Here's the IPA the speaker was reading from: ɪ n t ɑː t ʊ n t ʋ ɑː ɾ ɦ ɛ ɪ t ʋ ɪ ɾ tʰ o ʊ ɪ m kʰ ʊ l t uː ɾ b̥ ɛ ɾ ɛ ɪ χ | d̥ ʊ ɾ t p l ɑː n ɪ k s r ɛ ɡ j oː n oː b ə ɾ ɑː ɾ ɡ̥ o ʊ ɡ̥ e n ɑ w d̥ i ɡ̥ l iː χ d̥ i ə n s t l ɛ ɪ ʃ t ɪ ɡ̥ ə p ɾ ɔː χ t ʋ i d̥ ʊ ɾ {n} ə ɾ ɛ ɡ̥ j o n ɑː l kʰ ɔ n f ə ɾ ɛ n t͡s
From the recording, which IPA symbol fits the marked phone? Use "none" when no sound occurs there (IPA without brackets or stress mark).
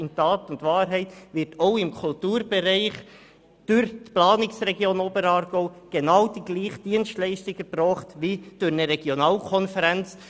n